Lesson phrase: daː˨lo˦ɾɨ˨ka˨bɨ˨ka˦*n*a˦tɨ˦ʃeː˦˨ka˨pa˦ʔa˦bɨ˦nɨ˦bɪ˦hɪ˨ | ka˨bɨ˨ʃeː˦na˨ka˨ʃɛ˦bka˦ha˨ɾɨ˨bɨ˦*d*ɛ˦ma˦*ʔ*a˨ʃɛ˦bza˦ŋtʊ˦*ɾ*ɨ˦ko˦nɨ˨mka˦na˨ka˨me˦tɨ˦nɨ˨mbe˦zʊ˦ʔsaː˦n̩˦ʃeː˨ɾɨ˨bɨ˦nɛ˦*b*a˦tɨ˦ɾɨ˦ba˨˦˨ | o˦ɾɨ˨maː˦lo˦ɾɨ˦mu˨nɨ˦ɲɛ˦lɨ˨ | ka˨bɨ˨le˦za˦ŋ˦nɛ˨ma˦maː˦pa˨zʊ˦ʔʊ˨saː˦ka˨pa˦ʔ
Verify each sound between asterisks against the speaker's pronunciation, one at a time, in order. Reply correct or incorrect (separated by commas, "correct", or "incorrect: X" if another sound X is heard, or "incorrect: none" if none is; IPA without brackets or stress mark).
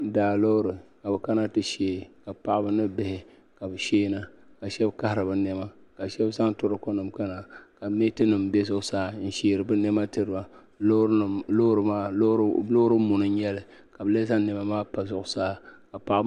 correct, incorrect: n, incorrect: k, correct, incorrect: m